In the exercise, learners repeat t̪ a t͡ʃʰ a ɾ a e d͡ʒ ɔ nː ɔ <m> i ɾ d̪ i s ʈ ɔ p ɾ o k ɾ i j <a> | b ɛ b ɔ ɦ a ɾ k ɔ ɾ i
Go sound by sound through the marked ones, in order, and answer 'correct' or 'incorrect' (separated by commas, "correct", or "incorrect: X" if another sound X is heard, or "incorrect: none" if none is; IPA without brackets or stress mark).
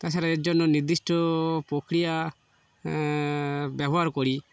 incorrect: n, correct